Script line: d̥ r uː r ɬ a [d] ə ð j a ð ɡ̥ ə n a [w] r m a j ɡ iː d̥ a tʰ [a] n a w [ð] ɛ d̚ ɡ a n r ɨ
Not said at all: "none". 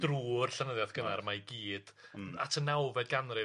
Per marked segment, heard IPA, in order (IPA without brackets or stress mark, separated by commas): n, none, ə, v